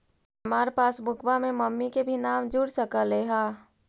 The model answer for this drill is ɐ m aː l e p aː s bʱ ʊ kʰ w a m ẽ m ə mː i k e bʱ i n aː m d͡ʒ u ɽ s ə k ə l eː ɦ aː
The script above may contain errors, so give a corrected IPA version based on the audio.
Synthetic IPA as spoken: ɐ m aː ɾ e p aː s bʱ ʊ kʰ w a m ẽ m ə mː i k e bʱ i n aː m d͡ʒ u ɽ s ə k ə l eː ɦ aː